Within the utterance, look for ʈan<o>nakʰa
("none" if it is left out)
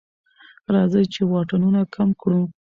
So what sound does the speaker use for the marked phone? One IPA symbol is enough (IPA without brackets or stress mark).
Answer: u